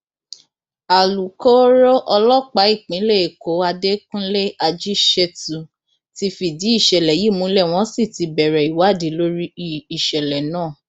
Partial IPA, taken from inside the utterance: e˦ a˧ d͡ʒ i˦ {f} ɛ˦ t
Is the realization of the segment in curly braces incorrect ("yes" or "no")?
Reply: yes